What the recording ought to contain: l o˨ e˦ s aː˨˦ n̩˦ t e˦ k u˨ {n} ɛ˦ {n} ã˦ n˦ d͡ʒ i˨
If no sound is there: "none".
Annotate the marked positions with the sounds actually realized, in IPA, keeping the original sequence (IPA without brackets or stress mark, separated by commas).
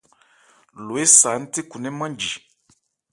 n, m